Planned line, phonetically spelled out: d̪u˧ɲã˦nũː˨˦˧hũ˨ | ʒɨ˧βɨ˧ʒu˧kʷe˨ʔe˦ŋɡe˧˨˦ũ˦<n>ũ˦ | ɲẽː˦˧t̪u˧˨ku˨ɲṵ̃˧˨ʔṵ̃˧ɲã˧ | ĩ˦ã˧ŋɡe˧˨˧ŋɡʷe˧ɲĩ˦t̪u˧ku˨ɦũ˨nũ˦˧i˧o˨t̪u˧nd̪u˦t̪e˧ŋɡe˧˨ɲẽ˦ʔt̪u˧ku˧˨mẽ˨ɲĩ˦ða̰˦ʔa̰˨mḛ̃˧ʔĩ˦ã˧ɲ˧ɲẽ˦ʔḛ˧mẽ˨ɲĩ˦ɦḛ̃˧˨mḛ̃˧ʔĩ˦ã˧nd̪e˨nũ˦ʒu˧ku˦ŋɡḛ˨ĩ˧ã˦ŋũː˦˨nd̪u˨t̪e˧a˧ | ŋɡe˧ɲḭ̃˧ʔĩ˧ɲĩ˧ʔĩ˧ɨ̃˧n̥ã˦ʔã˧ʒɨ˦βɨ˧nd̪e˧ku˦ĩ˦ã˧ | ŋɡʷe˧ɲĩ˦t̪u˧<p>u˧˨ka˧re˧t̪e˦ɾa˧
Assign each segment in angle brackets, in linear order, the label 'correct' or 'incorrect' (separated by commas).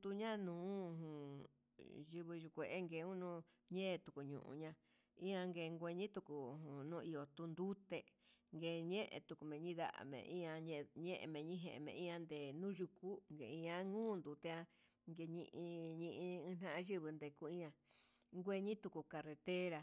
correct, incorrect